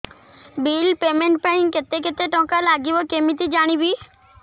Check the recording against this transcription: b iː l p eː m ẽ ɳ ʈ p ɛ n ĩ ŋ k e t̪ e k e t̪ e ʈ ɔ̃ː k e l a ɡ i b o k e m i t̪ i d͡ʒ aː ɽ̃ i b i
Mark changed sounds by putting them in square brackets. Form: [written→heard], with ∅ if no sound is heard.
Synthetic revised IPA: b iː l p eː m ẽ ɳ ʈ p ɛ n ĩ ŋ k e t̪ e k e t̪ e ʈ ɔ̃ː k [e→a] l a ɡ i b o k e m i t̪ i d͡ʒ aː ɽ̃ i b i

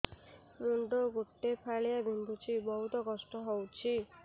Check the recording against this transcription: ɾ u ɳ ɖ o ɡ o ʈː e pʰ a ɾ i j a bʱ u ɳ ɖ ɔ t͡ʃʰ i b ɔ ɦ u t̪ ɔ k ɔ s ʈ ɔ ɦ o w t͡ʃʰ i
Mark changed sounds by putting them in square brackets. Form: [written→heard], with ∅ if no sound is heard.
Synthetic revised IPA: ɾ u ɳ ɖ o ɡ o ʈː e pʰ a [ɾ→ɭ] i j a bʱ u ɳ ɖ [ɔ→u] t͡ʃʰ i b ɔ ɦ u t̪ ɔ k ɔ s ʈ ɔ ɦ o w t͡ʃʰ i

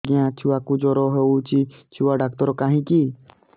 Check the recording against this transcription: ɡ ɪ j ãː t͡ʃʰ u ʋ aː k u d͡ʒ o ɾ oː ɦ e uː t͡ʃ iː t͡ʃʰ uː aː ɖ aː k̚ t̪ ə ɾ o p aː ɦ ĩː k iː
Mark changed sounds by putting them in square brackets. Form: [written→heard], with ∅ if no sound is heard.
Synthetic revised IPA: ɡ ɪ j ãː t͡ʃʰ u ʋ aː k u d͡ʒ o ɾ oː ɦ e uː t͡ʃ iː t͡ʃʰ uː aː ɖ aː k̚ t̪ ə ɾ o [p→k] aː ɦ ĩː k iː

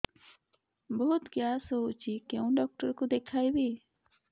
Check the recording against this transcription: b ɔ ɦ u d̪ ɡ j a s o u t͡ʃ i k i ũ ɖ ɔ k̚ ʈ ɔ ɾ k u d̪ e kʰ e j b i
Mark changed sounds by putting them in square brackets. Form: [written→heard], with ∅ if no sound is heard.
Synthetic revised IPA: b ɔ ɦ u [d̪→t̪] ɡ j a s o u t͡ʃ i k [i→e] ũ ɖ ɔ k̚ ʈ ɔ ɾ k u d̪ e kʰ [e→a] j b i

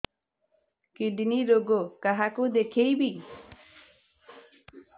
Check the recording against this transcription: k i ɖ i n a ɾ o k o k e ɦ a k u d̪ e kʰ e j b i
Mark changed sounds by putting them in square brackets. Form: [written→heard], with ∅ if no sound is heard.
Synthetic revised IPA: k i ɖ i n [a→i] ɾ o [k→ɡ] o k [e→a] ɦ a k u d̪ e kʰ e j b i

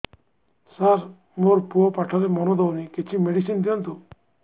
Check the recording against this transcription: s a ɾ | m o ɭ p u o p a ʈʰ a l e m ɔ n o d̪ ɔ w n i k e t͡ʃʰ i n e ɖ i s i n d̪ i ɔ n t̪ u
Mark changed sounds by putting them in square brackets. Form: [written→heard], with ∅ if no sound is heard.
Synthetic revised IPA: s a ɾ | m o [ɭ→ɾ] p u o p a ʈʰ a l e m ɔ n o d̪ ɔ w n i k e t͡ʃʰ i [n→m] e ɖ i s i n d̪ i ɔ n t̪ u

